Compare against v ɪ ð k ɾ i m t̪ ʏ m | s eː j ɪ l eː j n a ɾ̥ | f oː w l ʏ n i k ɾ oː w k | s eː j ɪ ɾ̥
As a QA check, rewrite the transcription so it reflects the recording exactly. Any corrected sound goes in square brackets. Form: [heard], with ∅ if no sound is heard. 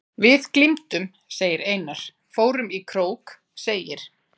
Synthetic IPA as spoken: v ɪ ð k [l] i m t̪ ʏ m | s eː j ɪ [ɾ] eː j n a ɾ̥ | f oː w [ɾ] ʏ [m] i [kʰ] ɾ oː w k | s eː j ɪ ɾ̥